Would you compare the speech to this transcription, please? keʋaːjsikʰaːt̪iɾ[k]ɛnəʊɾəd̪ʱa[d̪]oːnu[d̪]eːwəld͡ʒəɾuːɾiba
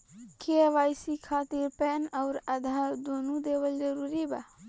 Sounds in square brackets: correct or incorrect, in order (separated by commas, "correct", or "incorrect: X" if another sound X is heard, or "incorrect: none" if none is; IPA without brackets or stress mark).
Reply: incorrect: p, correct, correct